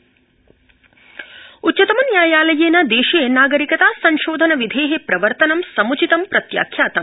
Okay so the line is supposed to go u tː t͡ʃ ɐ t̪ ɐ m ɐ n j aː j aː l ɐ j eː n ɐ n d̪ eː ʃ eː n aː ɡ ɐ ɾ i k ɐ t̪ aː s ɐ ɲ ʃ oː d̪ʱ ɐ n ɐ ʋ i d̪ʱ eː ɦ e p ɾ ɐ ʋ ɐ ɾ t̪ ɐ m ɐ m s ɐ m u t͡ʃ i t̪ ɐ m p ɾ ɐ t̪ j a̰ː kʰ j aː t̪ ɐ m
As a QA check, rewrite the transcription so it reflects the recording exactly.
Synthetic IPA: u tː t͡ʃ ɐ t̪ ɐ m ɐ n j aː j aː l ɐ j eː n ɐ d̪ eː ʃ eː n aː ɡ ɐ ɾ i k ɐ t̪ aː s ɐ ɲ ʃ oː d̪ʱ ɐ n ɐ ʋ i d̪ʱ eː ɦ e p ɾ ɐ ʋ ɐ ɾ t̪ ɐ n ɐ m s ɐ m u t͡ʃ i t̪ ɐ m p ɾ ɐ t̪ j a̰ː kʰ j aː t̪ ɐ m

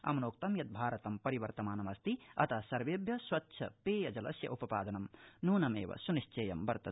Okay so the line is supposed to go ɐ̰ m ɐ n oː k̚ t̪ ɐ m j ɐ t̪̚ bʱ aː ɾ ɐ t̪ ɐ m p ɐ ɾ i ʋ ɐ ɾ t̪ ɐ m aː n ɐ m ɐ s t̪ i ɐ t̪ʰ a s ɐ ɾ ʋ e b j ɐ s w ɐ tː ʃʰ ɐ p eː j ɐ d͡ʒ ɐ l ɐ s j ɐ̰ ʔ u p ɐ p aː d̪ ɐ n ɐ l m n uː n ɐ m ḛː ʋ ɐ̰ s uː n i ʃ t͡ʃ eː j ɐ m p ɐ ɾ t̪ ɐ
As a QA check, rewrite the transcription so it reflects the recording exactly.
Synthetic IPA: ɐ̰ m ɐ n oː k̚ t̪ ɐ m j ɐ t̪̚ bʱ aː ɾ ɐ t̪ ɐ m p ɐ ɾ i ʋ ɐ ɾ t̪ ɐ m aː n ɐ m ɐ s t̪ i ɐ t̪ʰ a s ɐ ɾ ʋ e b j ɐ s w ɐ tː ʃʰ ɐ p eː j ɐ d͡ʒ ɐ l ɐ s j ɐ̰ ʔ u p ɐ p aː d̪ ɐ n ɐ m n uː n ɐ m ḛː ʋ ɐ̰ s u n i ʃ t͡ʃ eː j ɐ m b ɐ ɾ t̪ ɐ

